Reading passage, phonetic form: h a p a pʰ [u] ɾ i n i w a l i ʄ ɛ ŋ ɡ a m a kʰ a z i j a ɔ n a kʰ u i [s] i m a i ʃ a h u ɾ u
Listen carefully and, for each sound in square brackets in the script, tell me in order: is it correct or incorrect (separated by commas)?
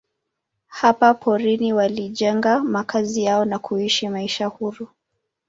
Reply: incorrect, incorrect